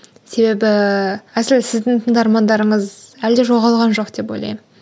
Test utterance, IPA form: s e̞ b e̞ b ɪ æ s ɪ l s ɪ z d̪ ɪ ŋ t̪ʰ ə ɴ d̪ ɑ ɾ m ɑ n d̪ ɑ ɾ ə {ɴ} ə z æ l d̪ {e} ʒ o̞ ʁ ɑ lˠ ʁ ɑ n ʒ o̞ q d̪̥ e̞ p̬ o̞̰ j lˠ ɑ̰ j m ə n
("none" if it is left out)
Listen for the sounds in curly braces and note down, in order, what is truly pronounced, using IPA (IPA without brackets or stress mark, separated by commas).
ɴ, e